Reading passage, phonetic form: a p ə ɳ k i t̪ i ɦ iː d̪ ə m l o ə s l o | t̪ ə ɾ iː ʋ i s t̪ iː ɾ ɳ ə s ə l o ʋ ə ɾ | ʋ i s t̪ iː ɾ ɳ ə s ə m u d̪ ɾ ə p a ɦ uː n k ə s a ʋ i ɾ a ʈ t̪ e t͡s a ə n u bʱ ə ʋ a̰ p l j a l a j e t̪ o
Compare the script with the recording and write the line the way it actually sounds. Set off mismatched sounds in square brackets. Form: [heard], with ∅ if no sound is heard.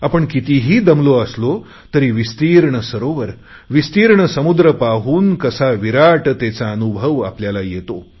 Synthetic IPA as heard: a p ə ɳ k i t̪ i ɦ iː d̪ ə m l o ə s l o | t̪ ə ɾ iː ʋ i s t̪ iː ɾ ɳ ə s ə [ɾ] o ʋ ə ɾ | ʋ i s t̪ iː ɾ ɳ ə s ə m u d̪ ɾ ə p a ɦ uː n k ə s a ʋ i ɾ a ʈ t̪ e t͡s a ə n u bʱ ə ʋ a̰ p l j a l a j e t̪ o